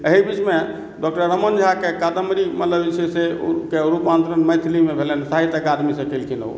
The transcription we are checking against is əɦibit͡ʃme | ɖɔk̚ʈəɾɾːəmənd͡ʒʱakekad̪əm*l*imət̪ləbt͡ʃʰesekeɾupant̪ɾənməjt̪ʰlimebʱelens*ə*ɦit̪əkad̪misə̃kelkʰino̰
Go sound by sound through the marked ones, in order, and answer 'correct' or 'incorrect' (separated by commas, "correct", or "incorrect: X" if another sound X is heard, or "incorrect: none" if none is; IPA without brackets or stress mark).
incorrect: ɾ, incorrect: a